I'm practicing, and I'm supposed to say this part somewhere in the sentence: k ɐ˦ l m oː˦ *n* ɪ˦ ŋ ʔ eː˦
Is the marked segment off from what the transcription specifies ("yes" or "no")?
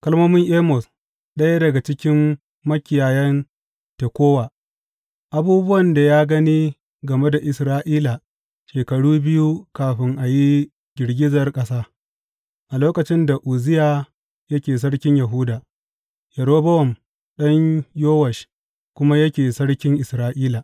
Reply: yes